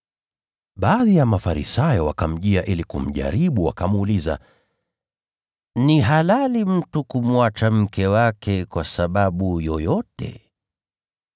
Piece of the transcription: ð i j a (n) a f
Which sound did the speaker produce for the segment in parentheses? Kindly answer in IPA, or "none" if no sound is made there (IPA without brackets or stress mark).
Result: m